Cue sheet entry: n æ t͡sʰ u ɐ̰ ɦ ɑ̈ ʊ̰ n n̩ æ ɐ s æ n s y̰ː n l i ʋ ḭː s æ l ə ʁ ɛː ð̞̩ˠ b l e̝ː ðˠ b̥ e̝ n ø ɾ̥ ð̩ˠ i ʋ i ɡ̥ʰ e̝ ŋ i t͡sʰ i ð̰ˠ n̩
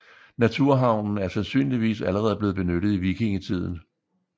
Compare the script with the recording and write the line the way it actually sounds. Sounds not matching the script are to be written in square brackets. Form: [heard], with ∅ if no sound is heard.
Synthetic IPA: n æ t͡sʰ u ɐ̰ ɦ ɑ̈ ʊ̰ n n̩ æ ɐ s æ n s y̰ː n l i ʋ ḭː s æ l ə ʁ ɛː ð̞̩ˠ b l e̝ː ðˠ b̥ e̝ n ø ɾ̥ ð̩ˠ i ʋ i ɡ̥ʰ e̝ ŋ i t͡sʰ i ð̰ˠ n̩